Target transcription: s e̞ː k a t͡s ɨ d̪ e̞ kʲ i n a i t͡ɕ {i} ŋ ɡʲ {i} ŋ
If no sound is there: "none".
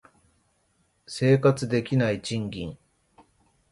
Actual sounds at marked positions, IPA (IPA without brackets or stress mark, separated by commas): ĩ, ĩ